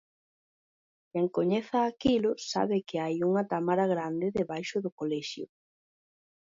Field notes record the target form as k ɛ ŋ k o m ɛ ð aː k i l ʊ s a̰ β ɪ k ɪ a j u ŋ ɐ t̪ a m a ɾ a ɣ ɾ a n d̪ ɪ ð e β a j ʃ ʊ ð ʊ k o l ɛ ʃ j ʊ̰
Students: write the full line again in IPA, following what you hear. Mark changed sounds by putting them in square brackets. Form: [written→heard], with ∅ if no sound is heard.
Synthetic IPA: k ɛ ŋ k o [m→ɲ] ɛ [ð→θ] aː k i l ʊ s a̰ β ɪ k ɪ a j u ŋ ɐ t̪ a m a ɾ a ɣ ɾ a n d̪ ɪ ð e β a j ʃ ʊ ð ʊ k o l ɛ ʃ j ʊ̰